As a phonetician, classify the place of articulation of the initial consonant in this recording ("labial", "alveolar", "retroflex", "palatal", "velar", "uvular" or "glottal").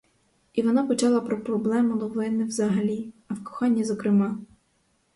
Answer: labial